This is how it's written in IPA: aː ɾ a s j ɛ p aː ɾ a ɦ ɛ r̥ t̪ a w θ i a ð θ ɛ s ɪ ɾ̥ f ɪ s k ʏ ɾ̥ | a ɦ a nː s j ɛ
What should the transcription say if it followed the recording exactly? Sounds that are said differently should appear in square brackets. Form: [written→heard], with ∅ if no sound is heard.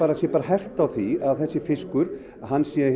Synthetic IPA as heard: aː ɾ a s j ɛ p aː ɾ a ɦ ɛ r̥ t̪ a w θ i a ð θ ɛ [s→sː] ɪ [ɾ̥→∅] f ɪ s k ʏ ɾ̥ | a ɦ a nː s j ɛ